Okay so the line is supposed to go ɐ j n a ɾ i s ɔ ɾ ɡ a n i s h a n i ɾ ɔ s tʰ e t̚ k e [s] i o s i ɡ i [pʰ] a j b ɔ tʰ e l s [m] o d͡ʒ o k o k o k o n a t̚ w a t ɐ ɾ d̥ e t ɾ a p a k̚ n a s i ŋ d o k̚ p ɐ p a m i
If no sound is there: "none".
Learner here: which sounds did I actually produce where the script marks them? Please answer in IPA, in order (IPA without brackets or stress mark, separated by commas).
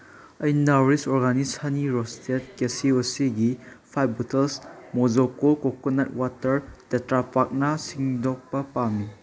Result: s, pʰ, m